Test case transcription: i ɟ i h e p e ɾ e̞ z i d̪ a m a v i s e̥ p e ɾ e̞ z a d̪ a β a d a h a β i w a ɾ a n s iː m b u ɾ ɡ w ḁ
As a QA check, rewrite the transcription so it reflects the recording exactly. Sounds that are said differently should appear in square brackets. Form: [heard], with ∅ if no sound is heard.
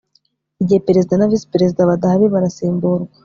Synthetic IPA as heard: i ɟ i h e p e ɾ e̞ z i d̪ a [n] a v i s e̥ p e ɾ e̞ z [i] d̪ a β a d a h a β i [β] a ɾ a [∅] s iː m b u ɾ ɡ w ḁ